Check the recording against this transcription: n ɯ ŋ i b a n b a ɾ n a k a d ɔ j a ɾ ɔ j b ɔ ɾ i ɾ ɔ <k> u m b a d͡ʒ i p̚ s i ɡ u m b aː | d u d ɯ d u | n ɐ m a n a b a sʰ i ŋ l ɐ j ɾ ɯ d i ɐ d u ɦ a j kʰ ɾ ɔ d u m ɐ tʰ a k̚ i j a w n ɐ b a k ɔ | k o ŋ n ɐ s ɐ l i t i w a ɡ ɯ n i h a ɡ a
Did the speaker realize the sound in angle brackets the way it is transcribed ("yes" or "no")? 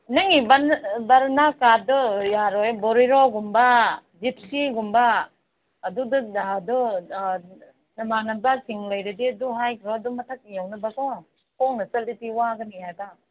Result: no